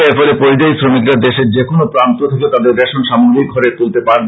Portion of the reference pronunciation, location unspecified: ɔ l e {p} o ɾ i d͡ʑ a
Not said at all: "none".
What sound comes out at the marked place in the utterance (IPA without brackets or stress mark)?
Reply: p